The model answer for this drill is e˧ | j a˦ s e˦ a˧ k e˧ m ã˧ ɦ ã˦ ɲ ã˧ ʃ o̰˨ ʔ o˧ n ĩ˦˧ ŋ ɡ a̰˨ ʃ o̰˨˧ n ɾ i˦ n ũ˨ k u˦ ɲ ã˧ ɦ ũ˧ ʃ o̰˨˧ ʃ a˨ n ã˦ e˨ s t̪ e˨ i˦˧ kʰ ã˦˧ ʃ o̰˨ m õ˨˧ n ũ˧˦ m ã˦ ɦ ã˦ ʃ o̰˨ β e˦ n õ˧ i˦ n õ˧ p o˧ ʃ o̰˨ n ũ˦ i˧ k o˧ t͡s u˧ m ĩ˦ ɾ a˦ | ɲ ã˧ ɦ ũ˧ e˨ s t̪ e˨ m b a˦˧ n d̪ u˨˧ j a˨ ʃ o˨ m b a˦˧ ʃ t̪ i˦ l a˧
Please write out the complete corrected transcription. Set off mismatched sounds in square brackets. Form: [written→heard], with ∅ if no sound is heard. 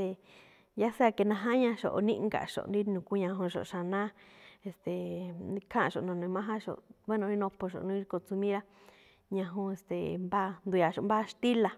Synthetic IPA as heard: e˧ | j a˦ s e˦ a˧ k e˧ [m→n] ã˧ ɦ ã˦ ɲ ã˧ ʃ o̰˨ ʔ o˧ n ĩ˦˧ ŋ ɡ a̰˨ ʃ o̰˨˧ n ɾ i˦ n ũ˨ k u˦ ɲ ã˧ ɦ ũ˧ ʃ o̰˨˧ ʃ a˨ n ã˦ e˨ s t̪ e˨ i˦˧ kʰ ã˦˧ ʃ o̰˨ [m→n] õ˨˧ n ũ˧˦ m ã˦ ɦ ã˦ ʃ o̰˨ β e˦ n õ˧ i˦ n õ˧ p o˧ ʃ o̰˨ n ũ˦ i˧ k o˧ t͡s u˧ m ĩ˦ ɾ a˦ | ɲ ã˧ ɦ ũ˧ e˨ s t̪ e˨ m b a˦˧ n d̪ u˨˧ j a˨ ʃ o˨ m b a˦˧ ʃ t̪ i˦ l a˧